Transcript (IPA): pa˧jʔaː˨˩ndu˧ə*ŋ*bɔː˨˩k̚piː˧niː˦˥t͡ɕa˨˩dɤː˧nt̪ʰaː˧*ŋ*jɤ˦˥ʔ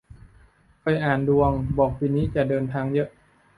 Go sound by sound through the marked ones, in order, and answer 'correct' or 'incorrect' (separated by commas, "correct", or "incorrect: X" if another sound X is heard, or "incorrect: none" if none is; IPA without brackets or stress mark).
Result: correct, correct